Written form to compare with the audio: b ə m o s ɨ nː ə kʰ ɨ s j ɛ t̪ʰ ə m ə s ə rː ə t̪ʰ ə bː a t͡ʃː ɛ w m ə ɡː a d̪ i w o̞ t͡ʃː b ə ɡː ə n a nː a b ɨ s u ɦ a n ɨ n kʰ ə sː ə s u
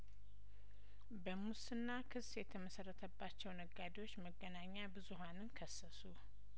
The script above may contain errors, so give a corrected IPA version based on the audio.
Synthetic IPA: b ə m u s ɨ nː a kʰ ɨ s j ɛ t̪ʰ ə m ə s ə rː ə t̪ʰ ə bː a t͡ʃː ɛ w n ə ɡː a d̪ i w o̞ t͡ʃː m ə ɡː ə n a ɲː a b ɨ z u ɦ a n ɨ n kʰ ə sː ə s u